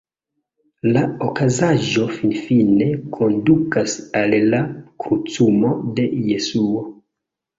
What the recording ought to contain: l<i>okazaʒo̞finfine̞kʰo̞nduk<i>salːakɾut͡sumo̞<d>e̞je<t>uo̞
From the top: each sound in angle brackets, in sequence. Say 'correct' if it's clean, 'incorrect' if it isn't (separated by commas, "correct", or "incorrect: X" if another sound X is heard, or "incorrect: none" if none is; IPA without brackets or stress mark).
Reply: incorrect: a, incorrect: a, correct, incorrect: s